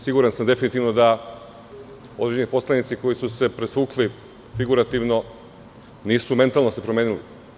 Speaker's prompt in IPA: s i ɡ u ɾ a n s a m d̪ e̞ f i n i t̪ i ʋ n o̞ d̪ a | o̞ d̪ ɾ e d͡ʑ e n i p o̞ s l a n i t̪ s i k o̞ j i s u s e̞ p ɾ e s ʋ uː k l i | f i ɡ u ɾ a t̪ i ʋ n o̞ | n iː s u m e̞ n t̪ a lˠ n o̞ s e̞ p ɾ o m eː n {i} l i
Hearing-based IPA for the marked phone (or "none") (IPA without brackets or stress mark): i